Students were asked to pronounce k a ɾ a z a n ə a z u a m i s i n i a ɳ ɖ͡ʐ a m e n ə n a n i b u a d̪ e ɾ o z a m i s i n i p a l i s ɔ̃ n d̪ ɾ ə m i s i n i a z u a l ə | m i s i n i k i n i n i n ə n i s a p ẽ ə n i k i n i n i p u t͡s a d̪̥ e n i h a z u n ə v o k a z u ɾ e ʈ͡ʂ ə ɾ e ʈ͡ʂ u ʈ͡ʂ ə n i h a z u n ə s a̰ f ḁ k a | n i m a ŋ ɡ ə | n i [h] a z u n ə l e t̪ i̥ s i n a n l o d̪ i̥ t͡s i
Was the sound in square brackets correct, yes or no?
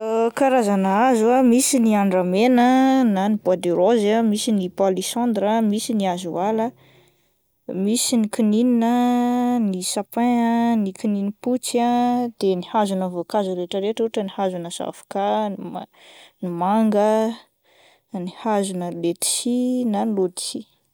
yes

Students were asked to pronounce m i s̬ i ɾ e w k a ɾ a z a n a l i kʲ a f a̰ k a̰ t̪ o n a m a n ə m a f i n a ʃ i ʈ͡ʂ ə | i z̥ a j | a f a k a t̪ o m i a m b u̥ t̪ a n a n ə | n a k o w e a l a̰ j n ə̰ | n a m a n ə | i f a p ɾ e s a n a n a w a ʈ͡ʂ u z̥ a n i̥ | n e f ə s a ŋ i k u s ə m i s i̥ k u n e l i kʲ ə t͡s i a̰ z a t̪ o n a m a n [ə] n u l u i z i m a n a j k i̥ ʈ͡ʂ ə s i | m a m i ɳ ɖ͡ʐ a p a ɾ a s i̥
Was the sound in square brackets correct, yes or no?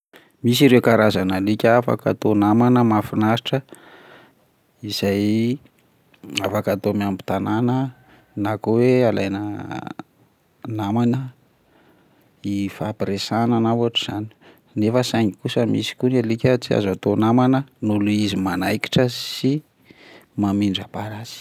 yes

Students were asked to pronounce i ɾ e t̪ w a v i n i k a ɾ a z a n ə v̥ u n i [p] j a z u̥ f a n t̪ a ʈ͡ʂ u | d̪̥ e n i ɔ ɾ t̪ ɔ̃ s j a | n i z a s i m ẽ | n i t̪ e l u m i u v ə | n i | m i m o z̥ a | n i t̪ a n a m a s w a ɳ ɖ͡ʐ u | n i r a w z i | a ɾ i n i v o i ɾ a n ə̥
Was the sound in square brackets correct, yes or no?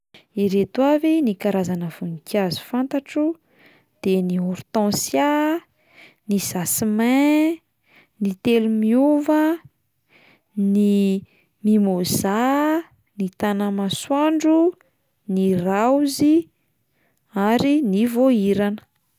no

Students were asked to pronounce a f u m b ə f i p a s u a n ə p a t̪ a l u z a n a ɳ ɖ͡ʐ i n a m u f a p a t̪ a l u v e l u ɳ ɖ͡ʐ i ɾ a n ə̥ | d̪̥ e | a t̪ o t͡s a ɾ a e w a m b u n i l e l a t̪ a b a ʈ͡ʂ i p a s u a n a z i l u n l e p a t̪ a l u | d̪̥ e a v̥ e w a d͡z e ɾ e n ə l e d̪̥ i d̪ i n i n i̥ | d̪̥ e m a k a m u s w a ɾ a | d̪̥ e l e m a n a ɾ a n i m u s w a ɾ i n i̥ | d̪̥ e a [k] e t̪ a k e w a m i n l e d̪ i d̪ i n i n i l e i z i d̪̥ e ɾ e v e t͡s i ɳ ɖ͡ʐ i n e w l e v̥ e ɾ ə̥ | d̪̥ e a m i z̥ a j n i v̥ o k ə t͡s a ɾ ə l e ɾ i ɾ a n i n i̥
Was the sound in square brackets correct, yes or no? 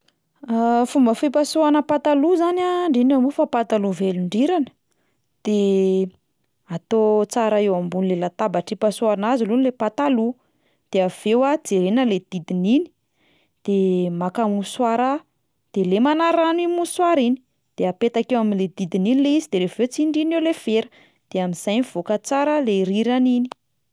no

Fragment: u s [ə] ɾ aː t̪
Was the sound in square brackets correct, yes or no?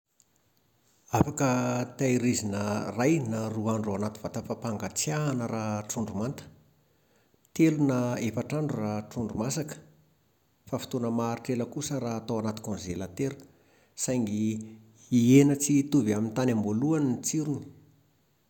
yes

